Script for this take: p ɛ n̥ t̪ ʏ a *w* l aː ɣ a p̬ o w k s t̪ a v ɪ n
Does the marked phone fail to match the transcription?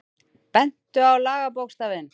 no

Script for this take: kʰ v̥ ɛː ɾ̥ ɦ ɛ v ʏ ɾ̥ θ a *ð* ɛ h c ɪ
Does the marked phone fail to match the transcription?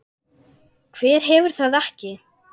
no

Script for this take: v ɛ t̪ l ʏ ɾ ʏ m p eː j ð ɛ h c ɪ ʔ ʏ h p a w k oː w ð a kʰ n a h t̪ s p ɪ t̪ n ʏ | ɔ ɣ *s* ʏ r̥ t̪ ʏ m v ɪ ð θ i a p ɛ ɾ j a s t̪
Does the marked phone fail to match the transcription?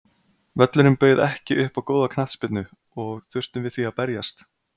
yes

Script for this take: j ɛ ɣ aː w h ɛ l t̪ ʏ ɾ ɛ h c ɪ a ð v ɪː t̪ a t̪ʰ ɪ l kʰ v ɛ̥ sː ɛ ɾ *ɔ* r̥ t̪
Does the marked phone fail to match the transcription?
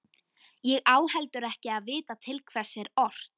no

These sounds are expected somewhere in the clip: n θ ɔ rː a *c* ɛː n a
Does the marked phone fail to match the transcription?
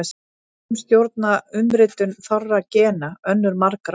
no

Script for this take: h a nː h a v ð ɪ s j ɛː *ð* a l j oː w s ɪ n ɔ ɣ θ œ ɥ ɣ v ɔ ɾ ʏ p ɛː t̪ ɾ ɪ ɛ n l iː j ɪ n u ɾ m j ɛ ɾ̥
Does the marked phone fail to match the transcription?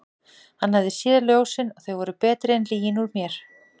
no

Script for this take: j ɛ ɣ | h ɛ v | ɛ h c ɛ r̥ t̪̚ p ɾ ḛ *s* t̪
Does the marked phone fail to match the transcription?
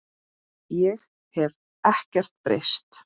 no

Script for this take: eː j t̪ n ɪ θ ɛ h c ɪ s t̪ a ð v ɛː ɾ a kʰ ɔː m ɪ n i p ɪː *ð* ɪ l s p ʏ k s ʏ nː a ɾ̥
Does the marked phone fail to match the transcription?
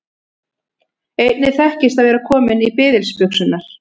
no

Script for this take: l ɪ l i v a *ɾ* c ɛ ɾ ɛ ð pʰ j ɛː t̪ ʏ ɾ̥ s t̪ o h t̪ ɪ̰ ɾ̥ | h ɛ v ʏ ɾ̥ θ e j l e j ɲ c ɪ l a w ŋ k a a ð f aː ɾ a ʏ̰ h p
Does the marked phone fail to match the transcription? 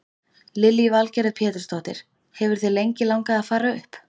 yes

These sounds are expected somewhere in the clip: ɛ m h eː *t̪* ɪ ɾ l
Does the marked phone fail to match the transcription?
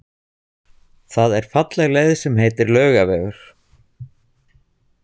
no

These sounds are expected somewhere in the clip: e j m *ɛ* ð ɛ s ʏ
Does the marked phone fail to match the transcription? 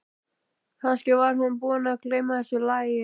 yes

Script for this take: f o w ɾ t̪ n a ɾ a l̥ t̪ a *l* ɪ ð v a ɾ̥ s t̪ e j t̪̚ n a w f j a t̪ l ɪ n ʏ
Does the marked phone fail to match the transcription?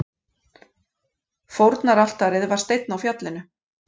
yes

